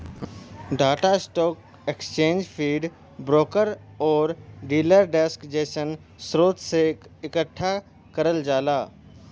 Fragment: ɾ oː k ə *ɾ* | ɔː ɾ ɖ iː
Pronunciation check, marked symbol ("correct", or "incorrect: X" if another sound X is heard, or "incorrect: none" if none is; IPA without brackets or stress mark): correct